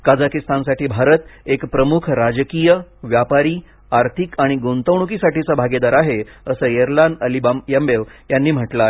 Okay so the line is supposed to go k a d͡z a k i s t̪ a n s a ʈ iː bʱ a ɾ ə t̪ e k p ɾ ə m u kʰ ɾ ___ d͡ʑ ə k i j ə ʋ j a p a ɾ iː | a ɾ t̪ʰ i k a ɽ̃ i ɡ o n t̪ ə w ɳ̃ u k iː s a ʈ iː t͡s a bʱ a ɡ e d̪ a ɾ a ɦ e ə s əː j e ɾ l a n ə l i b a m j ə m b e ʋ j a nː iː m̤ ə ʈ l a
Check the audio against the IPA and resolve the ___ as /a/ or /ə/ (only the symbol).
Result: a